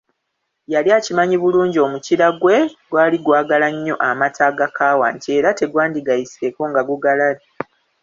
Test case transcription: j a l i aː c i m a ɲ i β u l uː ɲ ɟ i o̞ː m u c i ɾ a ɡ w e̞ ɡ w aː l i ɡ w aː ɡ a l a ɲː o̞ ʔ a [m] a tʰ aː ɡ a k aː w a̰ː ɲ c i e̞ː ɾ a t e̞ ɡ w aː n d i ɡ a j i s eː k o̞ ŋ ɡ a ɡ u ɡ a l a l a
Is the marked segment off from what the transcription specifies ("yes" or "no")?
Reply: no